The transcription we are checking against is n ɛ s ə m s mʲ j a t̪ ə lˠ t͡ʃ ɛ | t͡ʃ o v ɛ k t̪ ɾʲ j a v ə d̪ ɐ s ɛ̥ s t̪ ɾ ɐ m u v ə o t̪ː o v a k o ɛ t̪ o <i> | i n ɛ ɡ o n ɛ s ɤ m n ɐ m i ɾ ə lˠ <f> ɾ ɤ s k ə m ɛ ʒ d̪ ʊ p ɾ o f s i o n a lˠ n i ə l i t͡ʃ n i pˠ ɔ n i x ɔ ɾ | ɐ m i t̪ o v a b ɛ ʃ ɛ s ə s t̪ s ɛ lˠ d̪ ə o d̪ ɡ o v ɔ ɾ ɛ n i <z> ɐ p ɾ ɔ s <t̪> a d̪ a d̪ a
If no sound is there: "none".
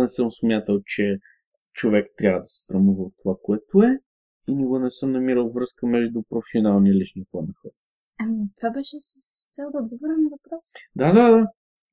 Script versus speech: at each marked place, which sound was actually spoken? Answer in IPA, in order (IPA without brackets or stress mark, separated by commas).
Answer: ɛ, v, v, d̪